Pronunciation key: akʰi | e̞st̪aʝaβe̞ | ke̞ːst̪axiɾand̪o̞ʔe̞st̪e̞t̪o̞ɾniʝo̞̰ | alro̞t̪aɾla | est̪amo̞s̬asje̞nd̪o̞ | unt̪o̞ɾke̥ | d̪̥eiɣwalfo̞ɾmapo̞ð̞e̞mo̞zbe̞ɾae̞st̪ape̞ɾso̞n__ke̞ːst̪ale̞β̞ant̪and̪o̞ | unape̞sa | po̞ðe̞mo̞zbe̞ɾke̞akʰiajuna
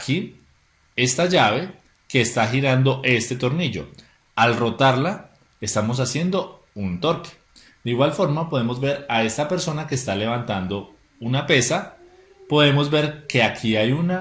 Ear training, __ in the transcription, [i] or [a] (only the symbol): a